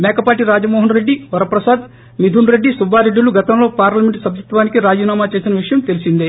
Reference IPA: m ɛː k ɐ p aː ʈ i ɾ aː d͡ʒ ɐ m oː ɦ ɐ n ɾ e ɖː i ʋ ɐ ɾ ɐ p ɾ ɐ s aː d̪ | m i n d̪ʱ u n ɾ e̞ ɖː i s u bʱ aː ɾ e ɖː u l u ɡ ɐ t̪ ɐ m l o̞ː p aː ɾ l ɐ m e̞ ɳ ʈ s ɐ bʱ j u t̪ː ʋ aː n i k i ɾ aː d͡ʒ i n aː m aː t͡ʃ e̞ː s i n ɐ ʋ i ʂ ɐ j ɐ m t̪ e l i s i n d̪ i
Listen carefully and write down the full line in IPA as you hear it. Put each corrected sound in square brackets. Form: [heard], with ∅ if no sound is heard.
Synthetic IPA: m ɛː k ɐ p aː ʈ i ɾ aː d͡ʒ ɐ m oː ɦ ɐ n ɾ e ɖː i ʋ ɐ ɾ ɐ p ɾ ɐ s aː d̪ | m i [∅] d̪ʱ u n ɾ e̞ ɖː i s u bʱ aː ɾ e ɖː u l u ɡ ɐ t̪ ɐ m l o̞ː p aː ɾ l ɐ m e̞ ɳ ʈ s ɐ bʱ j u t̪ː ʋ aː n i k i ɾ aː d͡ʒ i n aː m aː t͡ʃ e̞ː s i n ɐ ʋ i ʂ ɐ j ɐ m t̪ e l i s i n d̪ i